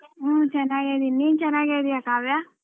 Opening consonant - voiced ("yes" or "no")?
no